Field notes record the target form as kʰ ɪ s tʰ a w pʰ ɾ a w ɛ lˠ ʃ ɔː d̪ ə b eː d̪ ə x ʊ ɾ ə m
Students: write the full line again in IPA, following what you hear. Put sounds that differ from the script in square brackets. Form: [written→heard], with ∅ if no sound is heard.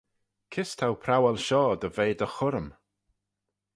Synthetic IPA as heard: kʰ ɪ s tʰ a w pʰ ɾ a w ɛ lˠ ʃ ɔː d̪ ə [b→v] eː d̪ ə x ʊ ɾ ə m